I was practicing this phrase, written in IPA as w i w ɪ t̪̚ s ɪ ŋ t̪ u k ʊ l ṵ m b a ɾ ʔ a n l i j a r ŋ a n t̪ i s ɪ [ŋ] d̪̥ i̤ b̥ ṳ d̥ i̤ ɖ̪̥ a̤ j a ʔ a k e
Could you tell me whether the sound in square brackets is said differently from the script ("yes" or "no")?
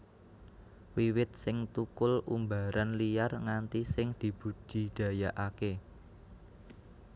no